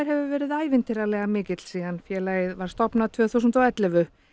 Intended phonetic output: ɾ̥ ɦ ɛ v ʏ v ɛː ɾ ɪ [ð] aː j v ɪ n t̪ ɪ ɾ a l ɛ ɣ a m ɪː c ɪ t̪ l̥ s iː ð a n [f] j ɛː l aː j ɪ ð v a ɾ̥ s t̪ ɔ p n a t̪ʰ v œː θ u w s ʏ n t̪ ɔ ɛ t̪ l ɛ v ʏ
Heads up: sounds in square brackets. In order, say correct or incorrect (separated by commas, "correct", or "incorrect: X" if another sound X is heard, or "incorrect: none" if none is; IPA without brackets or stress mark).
correct, correct